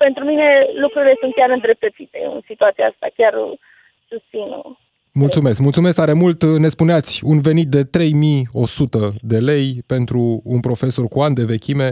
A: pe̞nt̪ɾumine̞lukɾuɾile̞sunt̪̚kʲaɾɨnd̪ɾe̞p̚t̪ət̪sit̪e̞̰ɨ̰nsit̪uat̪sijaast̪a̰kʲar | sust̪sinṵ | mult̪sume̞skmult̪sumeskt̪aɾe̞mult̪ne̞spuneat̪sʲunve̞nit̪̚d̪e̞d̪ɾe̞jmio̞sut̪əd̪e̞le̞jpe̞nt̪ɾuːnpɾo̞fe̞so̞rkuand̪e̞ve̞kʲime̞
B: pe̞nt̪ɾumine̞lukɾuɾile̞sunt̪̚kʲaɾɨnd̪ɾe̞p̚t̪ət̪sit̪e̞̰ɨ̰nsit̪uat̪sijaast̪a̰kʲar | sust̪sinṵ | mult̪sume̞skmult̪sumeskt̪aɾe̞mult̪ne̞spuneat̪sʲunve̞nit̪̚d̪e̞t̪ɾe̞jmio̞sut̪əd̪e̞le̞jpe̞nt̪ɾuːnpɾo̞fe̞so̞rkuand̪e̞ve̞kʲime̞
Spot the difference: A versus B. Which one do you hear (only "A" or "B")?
B